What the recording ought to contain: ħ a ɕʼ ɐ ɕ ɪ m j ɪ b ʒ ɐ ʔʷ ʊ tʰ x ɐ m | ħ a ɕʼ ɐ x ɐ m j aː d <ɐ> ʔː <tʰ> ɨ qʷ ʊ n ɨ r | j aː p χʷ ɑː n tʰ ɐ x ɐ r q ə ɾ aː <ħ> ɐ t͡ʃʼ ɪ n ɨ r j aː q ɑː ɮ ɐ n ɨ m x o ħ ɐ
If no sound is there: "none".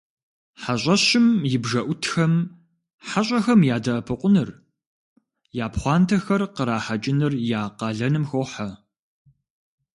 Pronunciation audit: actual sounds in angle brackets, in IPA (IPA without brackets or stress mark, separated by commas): ɐ, pʰ, ħ